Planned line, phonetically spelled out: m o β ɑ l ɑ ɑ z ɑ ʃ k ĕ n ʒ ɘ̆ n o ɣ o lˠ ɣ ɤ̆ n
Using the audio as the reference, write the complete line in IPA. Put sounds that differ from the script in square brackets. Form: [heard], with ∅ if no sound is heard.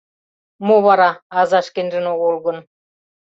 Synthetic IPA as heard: m o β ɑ [ɾ] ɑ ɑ z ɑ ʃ k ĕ n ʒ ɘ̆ n o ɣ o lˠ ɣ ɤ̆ n

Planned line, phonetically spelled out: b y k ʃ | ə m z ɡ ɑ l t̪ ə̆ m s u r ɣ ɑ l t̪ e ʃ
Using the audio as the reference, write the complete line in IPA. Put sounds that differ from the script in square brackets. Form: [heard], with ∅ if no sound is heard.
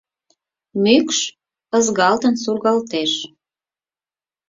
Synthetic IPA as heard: [m] y k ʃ | ə [∅] z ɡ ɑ l t̪ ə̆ [n] s u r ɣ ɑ l t̪ e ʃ

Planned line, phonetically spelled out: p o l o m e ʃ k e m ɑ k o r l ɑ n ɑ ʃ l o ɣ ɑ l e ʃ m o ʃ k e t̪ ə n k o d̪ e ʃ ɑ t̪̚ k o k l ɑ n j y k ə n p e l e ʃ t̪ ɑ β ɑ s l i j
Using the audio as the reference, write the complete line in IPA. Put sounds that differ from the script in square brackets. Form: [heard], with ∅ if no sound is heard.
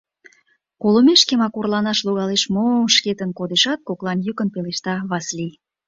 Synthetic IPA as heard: [k] o l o m e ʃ k e m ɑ k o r l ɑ n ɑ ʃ l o ɣ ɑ l e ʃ m o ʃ k e t̪ ə n k o d̪ e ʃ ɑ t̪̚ k o k l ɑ n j y k ə n p e l e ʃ t̪ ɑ β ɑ s l i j

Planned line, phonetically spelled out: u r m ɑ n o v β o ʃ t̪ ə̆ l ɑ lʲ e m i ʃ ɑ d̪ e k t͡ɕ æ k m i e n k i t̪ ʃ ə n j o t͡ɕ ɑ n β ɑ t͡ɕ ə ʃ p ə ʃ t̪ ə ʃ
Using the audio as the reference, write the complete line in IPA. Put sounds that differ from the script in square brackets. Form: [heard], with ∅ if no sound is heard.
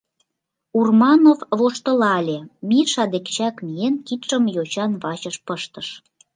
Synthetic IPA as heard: u r m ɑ n o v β o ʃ t̪ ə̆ l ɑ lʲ e m i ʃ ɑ d̪ e k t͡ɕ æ k m i e n k i t̪ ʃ ə [m] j o t͡ɕ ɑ n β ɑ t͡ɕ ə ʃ p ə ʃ t̪ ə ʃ

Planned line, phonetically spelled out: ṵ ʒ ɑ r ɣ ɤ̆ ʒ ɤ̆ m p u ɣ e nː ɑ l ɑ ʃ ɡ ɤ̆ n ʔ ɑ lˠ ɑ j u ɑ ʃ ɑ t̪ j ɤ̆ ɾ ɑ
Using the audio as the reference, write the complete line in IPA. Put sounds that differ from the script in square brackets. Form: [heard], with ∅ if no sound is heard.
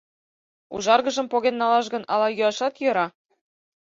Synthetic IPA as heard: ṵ ʒ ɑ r ɣ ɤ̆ ʒ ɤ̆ m p [o] ɣ e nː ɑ l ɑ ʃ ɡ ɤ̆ n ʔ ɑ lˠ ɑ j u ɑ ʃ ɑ t̪ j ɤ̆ ɾ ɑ

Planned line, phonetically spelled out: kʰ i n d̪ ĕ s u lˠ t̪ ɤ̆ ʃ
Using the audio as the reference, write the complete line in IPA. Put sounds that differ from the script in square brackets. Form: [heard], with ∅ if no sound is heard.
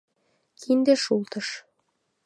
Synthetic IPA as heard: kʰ i n d̪ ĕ [ʃ] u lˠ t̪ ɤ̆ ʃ

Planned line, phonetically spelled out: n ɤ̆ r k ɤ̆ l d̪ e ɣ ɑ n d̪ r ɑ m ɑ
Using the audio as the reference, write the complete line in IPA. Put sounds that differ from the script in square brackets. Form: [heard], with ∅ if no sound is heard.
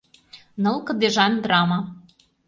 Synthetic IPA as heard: n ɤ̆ [l] k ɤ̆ [∅] d̪ e [ʒ] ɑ n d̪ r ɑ m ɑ

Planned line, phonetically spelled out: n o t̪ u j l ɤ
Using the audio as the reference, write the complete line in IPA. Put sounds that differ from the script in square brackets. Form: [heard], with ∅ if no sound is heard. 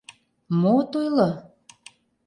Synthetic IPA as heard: [m] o t̪ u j l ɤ

